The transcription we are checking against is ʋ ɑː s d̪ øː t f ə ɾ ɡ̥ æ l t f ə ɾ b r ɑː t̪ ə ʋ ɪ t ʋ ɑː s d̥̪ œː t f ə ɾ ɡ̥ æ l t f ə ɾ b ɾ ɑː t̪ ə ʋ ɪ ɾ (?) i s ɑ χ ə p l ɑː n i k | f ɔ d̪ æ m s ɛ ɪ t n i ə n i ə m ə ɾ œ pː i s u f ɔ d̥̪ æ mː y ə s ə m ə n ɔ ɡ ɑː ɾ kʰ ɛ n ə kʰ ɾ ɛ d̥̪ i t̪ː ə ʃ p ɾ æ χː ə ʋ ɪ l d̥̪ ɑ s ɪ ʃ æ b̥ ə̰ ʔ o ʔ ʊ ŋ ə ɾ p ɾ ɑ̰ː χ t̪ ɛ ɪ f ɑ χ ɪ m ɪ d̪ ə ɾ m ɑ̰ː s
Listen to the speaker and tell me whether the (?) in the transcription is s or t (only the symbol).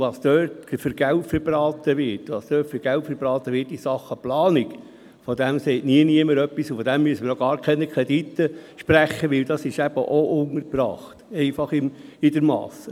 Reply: t